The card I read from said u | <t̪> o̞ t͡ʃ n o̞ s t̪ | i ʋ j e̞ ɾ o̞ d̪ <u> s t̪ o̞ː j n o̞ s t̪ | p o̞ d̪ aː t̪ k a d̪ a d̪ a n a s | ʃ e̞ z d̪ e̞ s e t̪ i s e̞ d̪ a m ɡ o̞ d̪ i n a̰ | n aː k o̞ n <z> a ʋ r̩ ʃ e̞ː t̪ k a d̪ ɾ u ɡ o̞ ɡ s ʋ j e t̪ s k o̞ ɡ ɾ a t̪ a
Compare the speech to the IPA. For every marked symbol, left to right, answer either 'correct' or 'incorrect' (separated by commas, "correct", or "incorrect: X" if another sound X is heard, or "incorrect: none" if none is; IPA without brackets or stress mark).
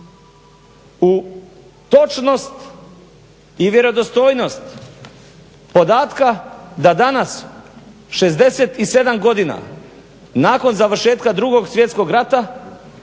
correct, incorrect: o, correct